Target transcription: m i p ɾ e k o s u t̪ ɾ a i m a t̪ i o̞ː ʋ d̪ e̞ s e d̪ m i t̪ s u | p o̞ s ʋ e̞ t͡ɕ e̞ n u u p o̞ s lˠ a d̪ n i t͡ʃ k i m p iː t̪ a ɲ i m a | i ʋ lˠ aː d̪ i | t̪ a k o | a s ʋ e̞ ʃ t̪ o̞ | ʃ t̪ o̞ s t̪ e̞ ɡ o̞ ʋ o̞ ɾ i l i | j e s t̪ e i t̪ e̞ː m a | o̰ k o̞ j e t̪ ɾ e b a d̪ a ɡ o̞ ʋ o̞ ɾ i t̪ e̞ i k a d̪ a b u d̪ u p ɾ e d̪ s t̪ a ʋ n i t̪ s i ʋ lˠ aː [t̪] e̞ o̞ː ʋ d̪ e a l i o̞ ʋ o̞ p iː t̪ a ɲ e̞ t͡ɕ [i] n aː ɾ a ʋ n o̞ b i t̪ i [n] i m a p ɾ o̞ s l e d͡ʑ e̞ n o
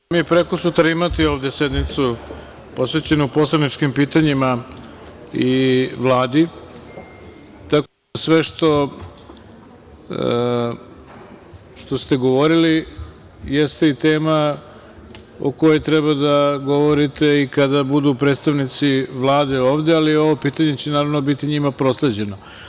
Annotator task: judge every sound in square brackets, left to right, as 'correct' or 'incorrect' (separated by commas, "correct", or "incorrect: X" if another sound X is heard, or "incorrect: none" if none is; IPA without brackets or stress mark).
incorrect: d̪, incorrect: e, incorrect: ɲ